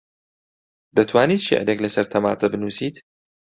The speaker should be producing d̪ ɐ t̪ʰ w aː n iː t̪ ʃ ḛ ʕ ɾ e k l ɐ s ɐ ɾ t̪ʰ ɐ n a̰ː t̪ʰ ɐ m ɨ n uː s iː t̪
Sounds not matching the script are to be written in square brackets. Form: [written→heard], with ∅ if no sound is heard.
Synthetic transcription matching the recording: d̪ ɐ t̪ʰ w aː n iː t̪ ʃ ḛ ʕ ɾ e k l ɐ s ɐ ɾ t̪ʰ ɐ [n→m] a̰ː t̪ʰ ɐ [m→b] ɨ n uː s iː t̪